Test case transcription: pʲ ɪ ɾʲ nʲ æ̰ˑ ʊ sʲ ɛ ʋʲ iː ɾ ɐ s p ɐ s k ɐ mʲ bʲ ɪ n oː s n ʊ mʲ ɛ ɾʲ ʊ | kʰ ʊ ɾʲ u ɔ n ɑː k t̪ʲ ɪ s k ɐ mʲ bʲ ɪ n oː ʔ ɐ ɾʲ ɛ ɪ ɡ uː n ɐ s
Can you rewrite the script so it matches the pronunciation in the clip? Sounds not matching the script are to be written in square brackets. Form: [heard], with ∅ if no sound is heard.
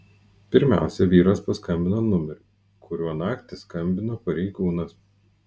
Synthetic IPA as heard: pʲ ɪ ɾʲ [mʲ] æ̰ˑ ʊ sʲ ɛ ʋʲ iː ɾ ɐ s p ɐ s k ɐ mʲ bʲ ɪ n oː [∅] n ʊ mʲ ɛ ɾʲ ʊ | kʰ ʊ ɾʲ u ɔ n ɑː k t̪ʲ ɪ s k ɐ mʲ bʲ ɪ n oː [p] ɐ ɾʲ ɛ ɪ ɡ uː n ɐ s